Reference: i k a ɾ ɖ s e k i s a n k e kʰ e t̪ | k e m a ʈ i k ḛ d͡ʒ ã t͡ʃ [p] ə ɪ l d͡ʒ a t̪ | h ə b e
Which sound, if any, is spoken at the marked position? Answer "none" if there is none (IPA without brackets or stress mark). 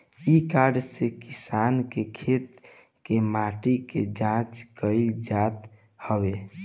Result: k